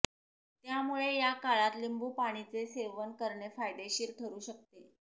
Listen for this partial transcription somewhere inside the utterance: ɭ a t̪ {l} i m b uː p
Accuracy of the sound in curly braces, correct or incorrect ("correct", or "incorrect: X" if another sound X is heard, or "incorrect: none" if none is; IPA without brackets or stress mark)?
correct